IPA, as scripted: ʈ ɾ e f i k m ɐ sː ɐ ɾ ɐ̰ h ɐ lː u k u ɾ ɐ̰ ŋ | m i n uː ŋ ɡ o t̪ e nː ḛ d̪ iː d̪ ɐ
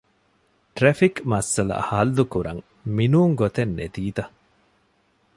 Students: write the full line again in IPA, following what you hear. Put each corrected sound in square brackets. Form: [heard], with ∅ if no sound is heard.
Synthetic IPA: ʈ ɾ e f i k m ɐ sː ɐ [l] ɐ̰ h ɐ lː u k u ɾ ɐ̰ ŋ | m i n uː ŋ ɡ o t̪ e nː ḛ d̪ iː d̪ ɐ